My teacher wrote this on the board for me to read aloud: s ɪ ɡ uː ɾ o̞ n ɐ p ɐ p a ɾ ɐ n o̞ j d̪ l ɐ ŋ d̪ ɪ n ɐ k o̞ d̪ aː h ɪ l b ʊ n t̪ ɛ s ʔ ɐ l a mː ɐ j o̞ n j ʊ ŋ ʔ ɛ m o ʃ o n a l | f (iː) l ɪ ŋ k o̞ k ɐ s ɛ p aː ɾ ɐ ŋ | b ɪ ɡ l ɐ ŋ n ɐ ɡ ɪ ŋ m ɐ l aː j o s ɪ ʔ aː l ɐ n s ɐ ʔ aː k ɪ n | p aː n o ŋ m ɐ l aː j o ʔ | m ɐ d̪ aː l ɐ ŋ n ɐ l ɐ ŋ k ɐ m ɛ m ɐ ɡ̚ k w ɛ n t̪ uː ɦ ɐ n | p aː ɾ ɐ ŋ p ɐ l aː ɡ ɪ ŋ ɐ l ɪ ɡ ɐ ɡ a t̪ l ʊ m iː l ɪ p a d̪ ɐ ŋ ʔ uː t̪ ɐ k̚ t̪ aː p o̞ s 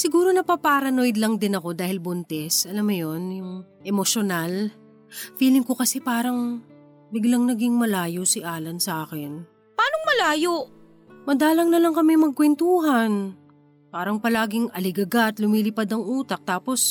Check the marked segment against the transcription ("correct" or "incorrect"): correct